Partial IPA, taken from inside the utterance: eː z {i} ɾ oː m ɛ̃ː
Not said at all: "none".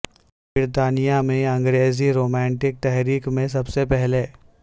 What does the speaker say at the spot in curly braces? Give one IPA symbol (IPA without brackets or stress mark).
i